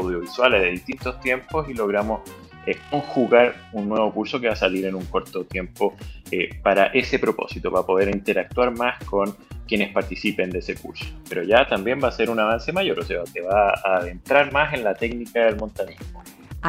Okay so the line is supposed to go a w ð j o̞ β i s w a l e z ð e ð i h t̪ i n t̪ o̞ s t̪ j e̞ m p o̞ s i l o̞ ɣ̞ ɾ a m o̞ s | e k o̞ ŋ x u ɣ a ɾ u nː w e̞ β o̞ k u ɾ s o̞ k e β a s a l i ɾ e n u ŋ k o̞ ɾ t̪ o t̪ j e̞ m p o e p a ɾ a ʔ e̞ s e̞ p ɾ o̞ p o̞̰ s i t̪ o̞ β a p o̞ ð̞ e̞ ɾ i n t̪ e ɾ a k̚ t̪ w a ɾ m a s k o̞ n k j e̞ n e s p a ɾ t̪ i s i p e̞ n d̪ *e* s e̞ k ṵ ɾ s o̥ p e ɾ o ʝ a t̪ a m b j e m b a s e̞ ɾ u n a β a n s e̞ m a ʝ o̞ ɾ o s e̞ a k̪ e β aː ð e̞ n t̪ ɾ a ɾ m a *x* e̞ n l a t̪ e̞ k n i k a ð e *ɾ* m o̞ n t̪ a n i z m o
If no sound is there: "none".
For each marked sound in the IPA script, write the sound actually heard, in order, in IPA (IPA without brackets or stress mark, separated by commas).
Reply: e, s, l